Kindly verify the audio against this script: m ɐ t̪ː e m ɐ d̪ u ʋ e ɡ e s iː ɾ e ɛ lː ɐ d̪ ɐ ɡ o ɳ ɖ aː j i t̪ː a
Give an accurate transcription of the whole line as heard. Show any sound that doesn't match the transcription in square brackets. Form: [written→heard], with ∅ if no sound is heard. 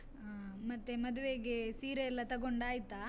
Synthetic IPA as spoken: m ɐ t̪ː e m ɐ d̪ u ʋ e ɡ e s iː ɾ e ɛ lː ɐ [d̪→t̪] ɐ ɡ o ɳ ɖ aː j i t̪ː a